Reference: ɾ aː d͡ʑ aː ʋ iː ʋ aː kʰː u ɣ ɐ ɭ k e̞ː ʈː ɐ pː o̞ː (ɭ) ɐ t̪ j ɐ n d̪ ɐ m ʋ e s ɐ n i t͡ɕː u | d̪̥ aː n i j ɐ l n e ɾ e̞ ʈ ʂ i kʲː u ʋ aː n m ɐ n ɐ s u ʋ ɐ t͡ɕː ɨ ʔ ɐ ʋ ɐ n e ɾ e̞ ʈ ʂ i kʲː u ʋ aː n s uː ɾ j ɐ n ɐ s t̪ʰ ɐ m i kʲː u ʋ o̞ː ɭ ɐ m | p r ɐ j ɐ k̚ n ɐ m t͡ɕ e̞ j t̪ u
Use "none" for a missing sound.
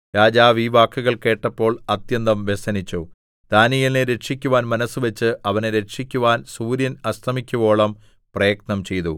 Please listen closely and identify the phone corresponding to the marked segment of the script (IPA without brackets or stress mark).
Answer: ɭ